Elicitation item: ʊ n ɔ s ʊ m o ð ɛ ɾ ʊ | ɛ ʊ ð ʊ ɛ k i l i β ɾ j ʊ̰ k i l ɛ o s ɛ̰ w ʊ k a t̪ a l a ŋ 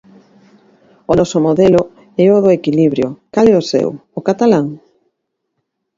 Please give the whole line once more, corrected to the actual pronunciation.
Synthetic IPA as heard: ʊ n ɔ s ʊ m o ð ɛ l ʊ | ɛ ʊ ð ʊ e k i l i β ɾ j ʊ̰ k a l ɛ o s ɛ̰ w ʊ k a t̪ a l a ŋ